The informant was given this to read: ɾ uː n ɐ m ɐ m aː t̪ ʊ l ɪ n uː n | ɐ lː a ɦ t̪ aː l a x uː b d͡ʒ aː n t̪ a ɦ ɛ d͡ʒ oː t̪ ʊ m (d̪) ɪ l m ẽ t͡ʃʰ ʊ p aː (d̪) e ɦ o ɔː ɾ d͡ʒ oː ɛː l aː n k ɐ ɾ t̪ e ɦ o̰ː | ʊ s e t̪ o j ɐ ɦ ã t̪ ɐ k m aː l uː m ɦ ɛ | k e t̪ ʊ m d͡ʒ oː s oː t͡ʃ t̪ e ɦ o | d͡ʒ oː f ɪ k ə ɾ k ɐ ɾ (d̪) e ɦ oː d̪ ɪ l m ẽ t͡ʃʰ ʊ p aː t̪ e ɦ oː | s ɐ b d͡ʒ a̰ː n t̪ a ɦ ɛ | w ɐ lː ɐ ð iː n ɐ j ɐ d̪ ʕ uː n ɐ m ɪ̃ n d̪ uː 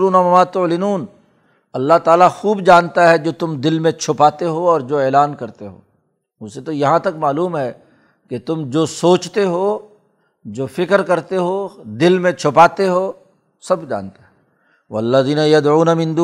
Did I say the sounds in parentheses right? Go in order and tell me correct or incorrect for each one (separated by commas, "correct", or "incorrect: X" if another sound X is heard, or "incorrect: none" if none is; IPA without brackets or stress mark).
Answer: correct, incorrect: t̪, incorrect: t̪